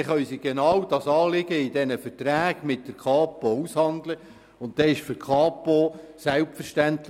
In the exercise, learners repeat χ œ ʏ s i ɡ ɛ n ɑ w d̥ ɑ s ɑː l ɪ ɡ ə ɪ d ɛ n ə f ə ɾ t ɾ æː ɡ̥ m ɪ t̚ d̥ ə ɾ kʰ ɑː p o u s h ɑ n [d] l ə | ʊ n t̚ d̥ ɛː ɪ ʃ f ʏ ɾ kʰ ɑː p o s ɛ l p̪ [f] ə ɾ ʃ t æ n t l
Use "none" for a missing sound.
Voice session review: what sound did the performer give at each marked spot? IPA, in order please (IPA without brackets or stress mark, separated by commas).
d, f